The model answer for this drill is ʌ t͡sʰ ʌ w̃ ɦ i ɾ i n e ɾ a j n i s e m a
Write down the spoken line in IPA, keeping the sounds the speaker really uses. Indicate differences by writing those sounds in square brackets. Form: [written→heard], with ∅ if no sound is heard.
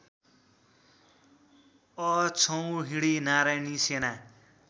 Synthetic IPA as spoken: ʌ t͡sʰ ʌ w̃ ɦ i [ɾ→ɽ] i n [e→a] ɾ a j n i s e [m→n] a